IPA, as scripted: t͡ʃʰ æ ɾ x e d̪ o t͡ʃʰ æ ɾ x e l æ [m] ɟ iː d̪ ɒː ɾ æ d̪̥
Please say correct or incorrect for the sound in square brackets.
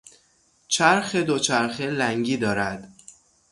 incorrect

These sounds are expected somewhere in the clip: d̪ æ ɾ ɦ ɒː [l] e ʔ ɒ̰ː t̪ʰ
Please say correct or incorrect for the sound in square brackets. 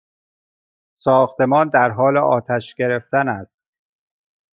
correct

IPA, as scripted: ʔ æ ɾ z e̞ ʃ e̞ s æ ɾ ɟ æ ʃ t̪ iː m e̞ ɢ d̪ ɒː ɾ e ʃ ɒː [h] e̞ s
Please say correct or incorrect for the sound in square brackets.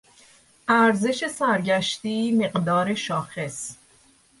incorrect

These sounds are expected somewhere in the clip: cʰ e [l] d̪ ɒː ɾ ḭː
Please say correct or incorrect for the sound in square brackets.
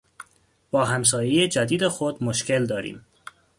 correct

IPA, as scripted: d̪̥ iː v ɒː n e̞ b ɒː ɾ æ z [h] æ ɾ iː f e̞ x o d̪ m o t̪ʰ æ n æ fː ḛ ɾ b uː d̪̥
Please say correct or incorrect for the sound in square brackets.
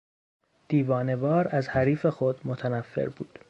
correct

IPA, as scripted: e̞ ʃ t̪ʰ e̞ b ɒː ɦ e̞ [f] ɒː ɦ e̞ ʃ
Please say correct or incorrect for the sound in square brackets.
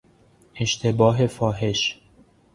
correct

